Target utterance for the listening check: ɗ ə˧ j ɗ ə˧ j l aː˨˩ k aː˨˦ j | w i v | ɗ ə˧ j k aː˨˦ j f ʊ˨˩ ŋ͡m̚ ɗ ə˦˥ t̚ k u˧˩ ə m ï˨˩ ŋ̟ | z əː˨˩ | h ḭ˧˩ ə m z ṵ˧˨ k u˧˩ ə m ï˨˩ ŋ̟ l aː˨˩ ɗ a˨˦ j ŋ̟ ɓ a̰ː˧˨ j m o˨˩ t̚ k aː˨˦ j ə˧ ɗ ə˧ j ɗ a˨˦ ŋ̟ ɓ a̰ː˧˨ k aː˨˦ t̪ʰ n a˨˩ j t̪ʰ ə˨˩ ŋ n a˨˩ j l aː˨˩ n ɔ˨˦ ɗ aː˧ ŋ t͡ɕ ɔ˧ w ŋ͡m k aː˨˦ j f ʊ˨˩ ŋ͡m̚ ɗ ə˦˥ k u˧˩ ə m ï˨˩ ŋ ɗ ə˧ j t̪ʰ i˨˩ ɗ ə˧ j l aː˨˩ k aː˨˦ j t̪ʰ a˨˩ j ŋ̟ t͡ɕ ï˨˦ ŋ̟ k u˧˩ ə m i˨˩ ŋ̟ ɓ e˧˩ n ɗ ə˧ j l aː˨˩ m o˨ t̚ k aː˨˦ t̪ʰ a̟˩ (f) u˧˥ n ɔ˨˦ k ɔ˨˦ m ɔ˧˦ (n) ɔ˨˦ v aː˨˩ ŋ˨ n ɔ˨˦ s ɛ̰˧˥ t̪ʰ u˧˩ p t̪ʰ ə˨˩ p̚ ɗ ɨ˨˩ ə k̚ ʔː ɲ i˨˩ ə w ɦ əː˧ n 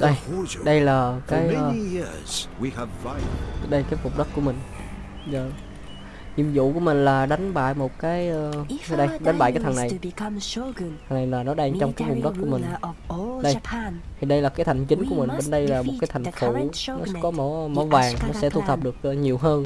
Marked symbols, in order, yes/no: yes, no

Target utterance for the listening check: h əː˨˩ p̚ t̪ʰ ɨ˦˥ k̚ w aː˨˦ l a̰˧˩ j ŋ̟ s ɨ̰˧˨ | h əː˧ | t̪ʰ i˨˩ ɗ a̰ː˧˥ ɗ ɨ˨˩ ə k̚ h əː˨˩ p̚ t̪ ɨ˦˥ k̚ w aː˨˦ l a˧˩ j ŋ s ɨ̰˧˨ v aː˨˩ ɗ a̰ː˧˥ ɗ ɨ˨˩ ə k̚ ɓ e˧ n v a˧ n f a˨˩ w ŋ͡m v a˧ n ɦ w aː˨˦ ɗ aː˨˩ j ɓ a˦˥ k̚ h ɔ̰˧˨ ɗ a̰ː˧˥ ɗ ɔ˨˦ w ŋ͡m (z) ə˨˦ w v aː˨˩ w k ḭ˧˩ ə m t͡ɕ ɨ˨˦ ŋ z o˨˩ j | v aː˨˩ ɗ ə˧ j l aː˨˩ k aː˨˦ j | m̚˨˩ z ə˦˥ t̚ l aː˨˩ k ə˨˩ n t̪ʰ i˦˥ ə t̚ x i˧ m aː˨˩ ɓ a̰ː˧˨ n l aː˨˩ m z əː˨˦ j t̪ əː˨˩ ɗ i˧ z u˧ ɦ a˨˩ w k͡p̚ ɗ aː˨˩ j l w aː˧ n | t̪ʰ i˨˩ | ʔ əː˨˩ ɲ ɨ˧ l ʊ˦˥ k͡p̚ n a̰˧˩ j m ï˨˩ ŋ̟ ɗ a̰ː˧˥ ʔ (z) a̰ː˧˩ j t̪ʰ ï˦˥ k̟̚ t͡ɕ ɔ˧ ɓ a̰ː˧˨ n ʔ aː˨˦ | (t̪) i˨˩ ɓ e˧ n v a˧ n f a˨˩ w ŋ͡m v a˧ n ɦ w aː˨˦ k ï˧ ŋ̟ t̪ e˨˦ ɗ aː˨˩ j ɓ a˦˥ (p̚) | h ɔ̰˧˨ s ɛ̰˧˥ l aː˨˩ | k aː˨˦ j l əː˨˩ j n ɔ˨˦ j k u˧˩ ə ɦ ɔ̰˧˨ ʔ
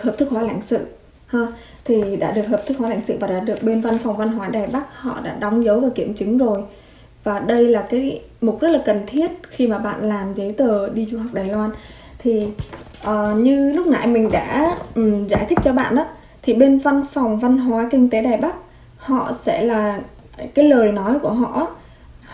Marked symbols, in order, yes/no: yes, yes, no, no

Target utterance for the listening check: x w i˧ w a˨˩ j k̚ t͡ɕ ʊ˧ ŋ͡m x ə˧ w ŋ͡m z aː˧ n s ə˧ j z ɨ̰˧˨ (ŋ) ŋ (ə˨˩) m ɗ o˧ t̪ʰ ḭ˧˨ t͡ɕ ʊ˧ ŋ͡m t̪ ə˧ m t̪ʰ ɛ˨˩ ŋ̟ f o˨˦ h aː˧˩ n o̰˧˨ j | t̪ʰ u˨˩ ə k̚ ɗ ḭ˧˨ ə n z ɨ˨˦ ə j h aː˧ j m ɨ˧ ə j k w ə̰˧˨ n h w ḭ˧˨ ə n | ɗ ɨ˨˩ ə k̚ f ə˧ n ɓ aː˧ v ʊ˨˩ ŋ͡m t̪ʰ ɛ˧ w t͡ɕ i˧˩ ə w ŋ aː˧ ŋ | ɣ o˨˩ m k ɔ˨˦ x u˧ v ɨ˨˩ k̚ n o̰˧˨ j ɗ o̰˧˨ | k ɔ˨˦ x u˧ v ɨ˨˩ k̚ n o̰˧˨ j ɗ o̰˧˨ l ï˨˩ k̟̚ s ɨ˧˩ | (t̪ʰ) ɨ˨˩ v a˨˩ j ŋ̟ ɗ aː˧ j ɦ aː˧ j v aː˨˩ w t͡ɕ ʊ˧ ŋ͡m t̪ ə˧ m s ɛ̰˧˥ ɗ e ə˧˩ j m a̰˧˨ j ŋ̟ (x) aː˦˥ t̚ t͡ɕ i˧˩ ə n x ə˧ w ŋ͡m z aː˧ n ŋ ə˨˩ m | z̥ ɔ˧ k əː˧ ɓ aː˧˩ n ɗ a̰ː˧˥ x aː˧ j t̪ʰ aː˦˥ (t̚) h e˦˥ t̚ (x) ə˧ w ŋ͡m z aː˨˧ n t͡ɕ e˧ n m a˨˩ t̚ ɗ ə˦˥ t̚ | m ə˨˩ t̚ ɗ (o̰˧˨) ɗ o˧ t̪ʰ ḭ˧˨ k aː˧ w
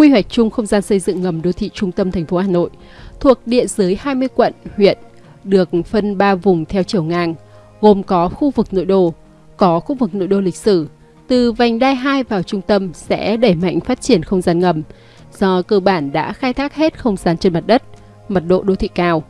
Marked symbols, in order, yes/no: yes, yes, no, no, no, yes, yes

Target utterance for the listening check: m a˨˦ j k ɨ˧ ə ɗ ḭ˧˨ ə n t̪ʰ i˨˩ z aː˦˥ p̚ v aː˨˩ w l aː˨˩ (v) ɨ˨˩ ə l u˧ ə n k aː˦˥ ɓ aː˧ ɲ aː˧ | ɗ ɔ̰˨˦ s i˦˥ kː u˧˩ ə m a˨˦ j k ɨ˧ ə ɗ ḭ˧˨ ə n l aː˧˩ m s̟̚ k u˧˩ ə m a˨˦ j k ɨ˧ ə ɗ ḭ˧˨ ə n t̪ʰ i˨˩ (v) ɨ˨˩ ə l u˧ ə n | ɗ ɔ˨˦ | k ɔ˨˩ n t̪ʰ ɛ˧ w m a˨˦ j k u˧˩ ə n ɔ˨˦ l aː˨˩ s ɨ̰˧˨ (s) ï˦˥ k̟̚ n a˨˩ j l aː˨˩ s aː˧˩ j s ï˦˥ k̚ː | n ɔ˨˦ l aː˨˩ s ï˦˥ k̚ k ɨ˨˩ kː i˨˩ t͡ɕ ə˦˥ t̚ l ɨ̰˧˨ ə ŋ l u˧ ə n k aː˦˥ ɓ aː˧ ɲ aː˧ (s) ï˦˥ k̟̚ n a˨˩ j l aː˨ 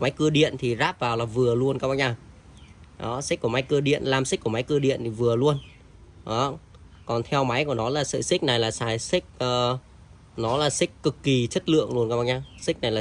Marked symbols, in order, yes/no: yes, yes, yes, yes

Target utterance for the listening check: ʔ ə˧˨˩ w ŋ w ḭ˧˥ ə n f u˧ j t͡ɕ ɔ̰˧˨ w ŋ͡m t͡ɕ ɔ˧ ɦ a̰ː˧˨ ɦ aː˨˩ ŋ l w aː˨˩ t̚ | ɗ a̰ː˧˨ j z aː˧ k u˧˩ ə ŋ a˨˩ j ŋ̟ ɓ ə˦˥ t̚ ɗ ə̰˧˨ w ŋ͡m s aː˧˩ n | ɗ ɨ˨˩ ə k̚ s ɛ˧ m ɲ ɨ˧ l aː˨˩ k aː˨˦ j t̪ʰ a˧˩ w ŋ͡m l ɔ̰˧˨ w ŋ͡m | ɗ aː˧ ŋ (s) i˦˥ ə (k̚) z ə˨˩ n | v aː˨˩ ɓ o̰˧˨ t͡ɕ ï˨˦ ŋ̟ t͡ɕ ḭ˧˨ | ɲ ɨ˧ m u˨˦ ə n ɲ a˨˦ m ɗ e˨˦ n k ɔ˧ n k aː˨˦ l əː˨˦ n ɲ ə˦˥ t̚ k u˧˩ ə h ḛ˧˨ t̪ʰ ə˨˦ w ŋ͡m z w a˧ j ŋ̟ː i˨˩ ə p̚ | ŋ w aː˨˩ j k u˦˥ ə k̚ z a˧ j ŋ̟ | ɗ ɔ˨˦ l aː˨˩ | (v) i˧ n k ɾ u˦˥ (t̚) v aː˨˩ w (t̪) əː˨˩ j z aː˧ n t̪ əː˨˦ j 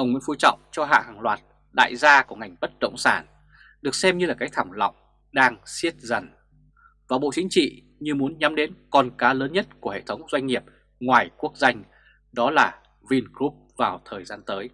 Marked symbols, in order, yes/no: yes, no, yes, no, no

